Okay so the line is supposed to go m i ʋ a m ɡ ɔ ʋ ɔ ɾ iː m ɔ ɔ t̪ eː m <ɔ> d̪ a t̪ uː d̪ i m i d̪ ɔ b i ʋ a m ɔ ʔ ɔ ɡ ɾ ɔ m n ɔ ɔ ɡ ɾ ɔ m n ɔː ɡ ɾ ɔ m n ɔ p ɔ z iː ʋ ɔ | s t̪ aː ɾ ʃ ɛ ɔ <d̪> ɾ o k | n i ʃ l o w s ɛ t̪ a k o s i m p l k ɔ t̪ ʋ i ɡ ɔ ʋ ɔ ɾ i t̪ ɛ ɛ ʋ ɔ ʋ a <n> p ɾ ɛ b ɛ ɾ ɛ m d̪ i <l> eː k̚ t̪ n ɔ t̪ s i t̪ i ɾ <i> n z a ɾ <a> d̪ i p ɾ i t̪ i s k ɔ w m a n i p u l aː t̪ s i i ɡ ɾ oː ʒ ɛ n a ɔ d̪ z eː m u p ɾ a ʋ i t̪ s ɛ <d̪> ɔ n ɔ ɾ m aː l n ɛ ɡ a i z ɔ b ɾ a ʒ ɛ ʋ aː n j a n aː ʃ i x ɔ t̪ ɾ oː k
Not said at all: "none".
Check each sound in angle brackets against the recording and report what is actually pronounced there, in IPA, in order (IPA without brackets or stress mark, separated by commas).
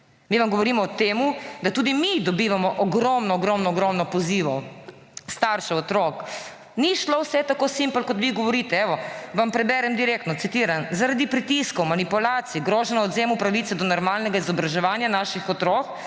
u, t̪, m, ɾ, a, a, d̪